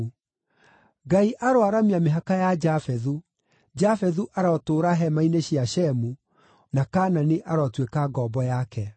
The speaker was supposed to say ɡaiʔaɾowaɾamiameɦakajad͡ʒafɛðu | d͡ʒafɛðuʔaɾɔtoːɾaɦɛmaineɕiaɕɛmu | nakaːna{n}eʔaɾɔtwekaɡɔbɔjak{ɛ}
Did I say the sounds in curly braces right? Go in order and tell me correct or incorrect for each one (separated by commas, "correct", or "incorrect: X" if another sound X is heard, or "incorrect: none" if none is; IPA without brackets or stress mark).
correct, correct